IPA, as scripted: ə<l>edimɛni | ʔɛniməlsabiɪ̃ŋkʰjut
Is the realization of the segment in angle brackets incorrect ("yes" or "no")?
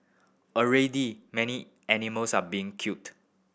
yes